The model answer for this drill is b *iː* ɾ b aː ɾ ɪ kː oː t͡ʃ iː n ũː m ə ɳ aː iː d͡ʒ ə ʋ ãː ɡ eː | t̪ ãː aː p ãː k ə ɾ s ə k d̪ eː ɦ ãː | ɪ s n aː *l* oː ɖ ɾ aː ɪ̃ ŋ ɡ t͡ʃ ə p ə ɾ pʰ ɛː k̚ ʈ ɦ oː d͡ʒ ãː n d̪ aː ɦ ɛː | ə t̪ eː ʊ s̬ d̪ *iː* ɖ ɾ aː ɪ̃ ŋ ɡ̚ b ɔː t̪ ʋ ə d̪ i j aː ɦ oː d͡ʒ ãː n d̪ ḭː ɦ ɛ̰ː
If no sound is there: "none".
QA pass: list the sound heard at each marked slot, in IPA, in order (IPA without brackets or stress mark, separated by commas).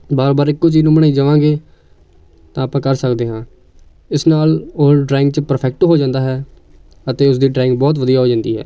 aː, l, iː